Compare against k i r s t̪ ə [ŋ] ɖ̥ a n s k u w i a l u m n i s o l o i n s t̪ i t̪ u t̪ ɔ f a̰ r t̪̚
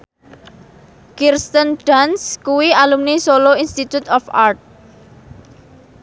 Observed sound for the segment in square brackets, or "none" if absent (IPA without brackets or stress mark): n